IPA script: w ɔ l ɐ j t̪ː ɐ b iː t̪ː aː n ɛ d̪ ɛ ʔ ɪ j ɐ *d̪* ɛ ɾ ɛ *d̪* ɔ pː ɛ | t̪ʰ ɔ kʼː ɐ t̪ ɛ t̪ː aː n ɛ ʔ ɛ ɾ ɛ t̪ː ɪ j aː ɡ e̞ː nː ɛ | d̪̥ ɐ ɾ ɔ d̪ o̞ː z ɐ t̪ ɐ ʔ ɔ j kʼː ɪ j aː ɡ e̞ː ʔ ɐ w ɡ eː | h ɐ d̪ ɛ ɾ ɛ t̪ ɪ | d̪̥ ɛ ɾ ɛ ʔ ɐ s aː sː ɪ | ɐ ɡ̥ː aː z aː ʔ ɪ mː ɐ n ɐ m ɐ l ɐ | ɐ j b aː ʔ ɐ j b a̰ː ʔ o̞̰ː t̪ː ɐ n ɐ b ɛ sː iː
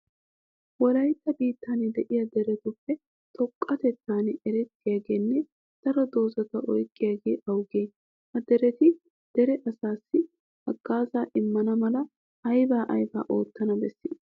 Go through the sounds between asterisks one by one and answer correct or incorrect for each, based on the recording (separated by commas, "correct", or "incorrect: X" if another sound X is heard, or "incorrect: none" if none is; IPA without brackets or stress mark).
correct, incorrect: t̪